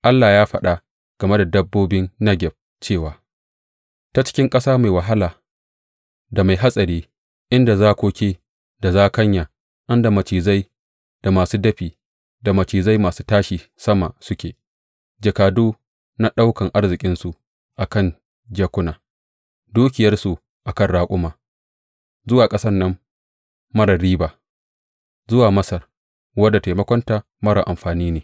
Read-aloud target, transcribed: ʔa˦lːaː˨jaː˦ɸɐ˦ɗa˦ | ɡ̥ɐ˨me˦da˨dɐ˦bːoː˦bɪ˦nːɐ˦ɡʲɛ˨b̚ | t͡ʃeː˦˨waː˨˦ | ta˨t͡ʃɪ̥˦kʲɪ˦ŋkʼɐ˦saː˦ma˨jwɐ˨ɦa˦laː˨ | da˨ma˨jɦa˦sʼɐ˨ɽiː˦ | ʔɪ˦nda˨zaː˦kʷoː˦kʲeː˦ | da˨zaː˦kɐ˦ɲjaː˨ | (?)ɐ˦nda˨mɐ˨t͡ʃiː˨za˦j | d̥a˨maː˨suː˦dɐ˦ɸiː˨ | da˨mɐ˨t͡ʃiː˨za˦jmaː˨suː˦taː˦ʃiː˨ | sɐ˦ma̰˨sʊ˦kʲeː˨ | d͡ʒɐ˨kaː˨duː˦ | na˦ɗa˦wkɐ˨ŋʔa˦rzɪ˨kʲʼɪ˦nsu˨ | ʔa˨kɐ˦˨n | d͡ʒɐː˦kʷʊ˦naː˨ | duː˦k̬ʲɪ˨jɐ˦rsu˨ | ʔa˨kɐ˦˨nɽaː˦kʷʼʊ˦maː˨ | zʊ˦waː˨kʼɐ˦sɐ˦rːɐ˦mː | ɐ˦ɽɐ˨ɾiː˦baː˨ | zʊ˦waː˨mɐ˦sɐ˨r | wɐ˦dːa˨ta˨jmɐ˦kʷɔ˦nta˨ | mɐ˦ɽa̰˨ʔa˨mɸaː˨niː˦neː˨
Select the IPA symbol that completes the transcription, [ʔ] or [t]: ʔ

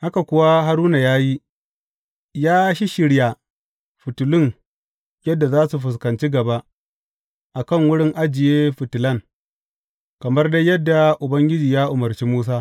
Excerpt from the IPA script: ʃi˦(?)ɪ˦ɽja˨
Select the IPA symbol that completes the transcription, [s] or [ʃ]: ʃ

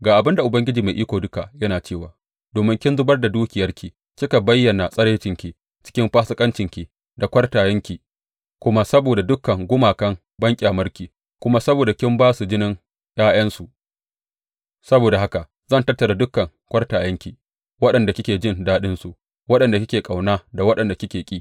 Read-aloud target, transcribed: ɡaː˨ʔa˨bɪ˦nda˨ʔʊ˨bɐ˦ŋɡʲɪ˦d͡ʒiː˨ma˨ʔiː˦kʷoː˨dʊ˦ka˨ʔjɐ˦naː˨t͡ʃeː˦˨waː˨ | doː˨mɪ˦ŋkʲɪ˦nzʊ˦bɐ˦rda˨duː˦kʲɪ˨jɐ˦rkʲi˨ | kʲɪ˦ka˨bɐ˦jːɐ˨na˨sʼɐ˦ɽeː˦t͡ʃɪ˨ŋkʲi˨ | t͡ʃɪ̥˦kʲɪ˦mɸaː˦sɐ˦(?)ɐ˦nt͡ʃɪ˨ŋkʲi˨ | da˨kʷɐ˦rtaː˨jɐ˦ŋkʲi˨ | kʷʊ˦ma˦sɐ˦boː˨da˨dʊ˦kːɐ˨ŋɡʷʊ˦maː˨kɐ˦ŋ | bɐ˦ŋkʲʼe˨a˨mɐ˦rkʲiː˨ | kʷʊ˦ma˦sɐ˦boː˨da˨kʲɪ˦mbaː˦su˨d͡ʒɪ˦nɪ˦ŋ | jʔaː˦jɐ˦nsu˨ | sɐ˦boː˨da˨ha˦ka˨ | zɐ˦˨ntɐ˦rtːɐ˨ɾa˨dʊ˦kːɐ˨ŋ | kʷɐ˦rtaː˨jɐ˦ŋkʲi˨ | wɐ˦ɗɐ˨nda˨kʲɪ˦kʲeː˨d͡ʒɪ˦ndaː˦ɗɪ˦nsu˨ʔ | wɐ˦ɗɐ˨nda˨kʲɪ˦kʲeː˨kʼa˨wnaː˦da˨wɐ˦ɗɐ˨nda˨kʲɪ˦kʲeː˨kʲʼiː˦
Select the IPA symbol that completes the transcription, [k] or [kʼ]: kʼ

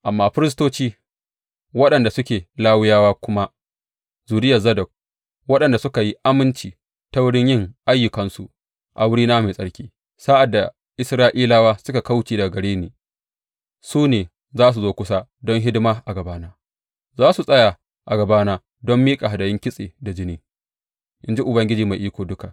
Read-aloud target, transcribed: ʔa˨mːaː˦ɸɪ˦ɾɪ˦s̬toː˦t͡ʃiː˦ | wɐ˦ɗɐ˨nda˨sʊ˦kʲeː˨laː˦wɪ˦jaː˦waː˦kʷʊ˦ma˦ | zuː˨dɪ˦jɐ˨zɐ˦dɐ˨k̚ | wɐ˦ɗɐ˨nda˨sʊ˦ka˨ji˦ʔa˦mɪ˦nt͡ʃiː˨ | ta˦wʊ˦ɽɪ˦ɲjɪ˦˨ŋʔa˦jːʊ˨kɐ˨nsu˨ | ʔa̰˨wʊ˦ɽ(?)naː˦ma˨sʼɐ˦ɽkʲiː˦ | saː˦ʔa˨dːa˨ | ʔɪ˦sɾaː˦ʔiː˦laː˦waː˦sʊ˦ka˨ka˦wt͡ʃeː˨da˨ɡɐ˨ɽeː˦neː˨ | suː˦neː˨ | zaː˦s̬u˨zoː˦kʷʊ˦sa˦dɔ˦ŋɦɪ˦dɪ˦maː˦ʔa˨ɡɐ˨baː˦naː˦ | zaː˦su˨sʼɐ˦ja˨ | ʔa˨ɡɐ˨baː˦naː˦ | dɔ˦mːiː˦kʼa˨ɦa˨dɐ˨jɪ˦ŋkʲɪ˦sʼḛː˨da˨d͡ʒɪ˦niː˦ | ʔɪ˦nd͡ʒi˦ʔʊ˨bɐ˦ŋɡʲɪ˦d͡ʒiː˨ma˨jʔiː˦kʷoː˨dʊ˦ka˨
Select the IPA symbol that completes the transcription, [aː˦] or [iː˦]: iː˦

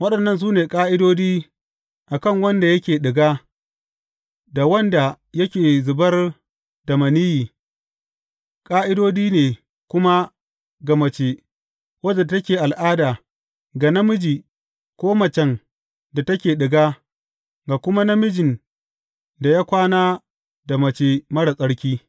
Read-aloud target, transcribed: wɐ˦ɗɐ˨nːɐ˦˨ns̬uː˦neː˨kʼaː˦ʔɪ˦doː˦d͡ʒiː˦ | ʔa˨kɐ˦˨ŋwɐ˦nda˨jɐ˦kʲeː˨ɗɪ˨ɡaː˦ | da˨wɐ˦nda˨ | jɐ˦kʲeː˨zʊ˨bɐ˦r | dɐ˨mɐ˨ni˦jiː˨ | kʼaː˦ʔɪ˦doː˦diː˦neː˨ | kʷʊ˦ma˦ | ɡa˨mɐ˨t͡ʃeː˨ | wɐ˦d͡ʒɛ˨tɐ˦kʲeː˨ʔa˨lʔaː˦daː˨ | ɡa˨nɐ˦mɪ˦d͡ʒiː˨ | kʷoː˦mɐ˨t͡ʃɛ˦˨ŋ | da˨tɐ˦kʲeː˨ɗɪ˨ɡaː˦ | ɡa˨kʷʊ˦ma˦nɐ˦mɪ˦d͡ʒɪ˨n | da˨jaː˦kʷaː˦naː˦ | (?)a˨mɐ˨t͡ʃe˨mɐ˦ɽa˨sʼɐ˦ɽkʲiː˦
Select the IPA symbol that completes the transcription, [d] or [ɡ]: d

